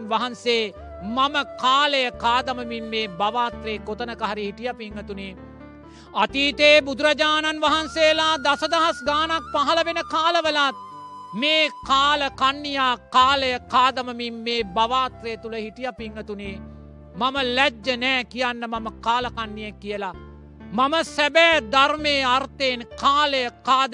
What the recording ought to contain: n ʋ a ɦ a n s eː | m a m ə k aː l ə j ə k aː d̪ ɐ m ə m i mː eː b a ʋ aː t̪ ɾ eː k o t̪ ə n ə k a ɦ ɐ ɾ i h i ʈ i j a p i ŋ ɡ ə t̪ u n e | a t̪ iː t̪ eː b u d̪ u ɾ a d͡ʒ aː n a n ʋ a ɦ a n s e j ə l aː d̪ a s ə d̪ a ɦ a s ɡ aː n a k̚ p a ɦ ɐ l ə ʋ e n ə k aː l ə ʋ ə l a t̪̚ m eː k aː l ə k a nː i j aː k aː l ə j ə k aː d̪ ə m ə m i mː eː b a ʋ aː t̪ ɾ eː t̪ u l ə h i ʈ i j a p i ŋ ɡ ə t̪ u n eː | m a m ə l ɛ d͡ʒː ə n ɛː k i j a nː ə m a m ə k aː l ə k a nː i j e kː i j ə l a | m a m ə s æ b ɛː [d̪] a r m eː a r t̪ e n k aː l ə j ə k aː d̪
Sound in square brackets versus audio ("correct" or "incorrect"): correct